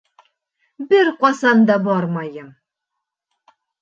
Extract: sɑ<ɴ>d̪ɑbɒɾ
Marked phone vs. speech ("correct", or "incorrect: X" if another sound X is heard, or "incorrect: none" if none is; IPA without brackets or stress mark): incorrect: n